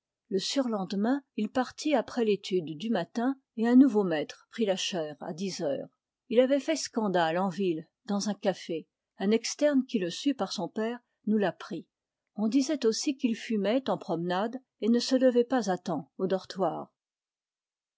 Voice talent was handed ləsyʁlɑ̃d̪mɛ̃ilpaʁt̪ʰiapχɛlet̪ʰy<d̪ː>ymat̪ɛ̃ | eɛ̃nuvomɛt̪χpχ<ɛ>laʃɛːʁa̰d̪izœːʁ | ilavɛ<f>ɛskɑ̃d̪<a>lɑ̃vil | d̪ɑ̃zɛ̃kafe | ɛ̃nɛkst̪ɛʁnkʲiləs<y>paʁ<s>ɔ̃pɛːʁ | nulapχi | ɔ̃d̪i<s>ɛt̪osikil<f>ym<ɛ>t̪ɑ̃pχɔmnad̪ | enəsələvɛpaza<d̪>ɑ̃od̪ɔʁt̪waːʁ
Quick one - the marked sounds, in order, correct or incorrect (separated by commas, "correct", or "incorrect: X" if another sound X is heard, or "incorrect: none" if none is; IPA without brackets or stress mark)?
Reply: correct, incorrect: i, correct, correct, correct, correct, incorrect: z, correct, correct, incorrect: t̪